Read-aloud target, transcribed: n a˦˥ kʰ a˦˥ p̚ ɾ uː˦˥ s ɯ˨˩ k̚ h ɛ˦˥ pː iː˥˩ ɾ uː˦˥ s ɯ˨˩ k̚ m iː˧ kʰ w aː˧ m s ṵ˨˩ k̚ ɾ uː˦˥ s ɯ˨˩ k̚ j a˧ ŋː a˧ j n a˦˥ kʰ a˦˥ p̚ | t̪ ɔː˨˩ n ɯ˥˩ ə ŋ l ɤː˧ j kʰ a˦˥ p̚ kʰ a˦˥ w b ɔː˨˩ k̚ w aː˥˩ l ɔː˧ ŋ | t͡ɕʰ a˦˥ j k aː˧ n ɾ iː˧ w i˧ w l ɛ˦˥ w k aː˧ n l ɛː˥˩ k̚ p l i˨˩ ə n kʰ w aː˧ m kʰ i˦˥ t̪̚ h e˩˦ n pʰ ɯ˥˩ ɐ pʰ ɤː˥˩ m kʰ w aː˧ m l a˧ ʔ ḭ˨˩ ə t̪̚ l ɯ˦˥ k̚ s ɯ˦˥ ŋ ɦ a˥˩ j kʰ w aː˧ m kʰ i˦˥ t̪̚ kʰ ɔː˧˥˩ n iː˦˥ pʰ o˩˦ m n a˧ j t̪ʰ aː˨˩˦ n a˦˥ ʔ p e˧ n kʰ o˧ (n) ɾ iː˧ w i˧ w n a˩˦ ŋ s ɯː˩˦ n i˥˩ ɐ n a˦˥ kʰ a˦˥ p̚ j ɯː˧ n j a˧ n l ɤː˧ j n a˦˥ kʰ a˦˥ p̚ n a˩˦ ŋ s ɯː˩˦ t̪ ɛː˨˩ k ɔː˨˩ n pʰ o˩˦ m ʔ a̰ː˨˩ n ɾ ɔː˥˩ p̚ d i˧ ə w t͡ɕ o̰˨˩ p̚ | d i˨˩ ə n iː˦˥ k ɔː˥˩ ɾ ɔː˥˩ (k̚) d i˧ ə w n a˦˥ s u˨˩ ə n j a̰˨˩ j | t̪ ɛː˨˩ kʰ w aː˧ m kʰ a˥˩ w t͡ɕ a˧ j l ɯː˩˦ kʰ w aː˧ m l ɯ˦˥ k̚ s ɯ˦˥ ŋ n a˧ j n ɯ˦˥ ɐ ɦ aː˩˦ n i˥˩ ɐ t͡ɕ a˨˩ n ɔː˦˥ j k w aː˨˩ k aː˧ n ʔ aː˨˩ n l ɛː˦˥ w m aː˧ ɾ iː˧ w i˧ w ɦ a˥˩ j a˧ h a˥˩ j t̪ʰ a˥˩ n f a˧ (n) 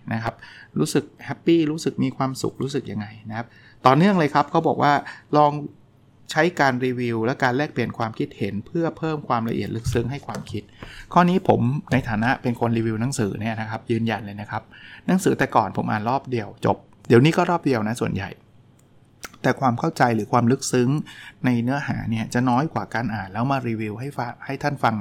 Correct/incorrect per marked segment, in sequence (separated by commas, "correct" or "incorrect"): correct, incorrect, incorrect